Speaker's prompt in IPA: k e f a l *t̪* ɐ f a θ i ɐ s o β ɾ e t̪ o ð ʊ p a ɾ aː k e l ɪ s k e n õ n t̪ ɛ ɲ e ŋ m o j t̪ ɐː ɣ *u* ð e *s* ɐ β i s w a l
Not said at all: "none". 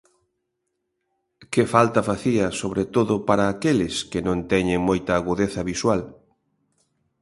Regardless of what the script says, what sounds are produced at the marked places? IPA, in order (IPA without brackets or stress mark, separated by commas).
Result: t̪, u, θ